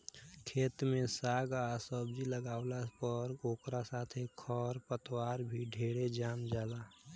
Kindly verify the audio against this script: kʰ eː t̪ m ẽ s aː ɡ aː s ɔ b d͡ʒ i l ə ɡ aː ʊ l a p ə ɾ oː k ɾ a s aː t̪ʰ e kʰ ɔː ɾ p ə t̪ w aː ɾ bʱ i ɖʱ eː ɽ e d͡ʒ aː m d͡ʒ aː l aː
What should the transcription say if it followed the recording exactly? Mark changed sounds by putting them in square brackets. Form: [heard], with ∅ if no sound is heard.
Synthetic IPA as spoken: kʰ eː t̪ m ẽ s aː ɡ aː s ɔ b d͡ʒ i l ə ɡ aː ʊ l a p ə ɾ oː k ɾ a s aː t̪ʰ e kʰ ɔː ɾ p ə t̪ w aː ɾ bʱ i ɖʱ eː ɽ e d͡ʒ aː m d͡ʒ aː l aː